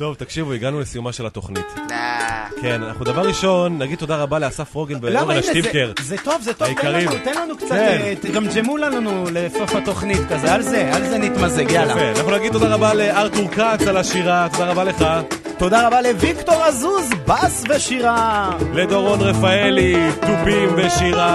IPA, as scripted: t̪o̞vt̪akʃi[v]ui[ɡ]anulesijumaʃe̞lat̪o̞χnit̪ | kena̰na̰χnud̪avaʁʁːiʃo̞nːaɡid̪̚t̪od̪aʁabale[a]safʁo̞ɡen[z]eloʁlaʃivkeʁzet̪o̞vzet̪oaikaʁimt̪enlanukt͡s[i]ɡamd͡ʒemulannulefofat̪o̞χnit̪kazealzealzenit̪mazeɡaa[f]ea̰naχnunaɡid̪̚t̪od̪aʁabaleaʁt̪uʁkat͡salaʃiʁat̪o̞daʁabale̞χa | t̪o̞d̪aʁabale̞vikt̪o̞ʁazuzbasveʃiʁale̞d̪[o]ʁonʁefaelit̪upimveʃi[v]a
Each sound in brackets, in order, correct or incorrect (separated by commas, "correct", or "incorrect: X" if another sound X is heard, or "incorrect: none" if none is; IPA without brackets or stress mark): correct, correct, correct, incorrect: v, incorrect: a, correct, correct, incorrect: ʁ